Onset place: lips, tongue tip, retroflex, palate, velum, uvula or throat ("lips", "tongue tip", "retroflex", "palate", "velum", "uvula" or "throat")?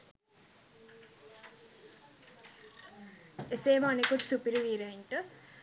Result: tongue tip